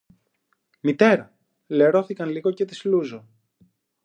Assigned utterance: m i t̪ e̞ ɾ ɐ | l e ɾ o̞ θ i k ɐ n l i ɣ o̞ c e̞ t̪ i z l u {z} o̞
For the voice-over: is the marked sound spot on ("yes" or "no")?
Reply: yes